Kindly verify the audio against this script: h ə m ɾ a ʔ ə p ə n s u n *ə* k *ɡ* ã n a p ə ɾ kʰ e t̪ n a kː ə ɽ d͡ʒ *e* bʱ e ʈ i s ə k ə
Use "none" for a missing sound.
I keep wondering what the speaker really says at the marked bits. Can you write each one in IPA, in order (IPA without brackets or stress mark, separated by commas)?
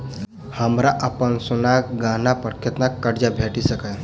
a, ɡ, a